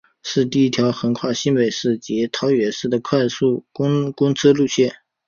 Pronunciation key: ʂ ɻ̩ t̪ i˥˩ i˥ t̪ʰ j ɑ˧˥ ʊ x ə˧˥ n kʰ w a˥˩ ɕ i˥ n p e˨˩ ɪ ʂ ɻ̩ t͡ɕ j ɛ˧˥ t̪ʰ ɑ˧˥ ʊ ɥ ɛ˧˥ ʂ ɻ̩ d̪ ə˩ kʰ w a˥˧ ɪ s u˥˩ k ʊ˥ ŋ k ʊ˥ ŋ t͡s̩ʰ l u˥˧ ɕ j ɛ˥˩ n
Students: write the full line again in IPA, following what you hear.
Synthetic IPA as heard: ʂ ɻ̩ t̪ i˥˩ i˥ t̪ʰ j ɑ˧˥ ʊ x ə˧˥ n kʰ w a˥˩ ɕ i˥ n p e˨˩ ɪ ʂ ɻ̩ t͡ɕ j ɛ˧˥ t̪ʰ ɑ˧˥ ʊ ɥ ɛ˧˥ ʂ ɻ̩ d̪ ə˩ kʰ w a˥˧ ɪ s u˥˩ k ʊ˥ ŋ k ʊ˥ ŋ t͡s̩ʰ l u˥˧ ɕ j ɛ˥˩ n